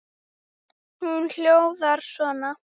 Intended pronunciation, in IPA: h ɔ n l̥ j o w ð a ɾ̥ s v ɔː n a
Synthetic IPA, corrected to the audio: h u n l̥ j o w ð a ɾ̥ s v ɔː n a